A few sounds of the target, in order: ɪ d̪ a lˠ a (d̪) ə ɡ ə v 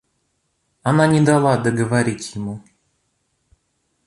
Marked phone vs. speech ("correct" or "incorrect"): correct